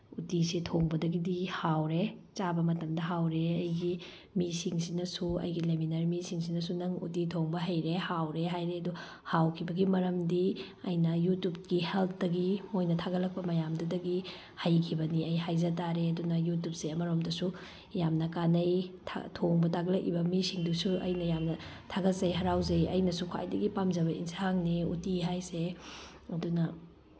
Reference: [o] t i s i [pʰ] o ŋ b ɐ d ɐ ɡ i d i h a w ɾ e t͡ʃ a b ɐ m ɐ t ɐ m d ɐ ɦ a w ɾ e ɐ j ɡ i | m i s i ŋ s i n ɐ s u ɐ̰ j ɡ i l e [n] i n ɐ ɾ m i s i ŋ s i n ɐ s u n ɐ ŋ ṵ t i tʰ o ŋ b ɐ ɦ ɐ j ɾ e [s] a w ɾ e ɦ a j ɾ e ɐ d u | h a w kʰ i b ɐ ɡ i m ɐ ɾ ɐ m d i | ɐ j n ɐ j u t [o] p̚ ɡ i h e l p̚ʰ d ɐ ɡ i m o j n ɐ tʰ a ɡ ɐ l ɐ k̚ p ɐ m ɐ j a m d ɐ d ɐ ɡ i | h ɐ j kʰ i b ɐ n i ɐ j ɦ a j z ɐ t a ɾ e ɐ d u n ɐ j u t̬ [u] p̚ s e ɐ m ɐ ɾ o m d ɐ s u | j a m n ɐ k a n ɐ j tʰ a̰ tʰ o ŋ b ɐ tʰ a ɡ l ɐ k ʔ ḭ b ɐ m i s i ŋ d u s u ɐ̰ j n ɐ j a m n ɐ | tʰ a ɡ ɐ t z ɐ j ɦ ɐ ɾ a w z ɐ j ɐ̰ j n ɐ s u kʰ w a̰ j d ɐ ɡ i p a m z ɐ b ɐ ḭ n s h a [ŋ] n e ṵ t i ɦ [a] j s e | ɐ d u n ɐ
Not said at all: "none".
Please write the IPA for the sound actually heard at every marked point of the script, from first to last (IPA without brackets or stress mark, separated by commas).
u, tʰ, m, h, u, u, ŋ, a